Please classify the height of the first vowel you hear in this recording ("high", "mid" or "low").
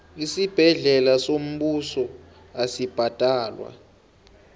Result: high